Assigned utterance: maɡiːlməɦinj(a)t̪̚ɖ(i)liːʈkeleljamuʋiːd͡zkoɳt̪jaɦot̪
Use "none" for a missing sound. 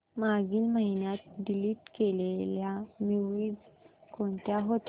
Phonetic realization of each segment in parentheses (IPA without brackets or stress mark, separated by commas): a, i